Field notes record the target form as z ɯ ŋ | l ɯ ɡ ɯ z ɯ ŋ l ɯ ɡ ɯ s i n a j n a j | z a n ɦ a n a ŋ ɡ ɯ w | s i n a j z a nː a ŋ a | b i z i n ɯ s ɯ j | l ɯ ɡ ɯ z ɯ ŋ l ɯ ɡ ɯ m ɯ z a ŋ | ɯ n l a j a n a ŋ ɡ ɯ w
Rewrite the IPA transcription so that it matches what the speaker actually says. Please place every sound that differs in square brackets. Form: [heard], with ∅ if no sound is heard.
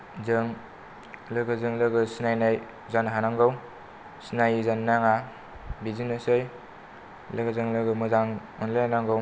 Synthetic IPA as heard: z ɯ ŋ | l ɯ ɡ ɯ z ɯ ŋ l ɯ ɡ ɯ s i n a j n a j | z a n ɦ a n a ŋ ɡ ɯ w | s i n a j z a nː a ŋ a | b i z i n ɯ s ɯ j | l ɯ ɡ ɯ z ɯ ŋ l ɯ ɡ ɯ m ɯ z a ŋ | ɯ n l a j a n a ŋ ɡ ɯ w